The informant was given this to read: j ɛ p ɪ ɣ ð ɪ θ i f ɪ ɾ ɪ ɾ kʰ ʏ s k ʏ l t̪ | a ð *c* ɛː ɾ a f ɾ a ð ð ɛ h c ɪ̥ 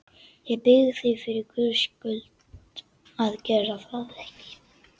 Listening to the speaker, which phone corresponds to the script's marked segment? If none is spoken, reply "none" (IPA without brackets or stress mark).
c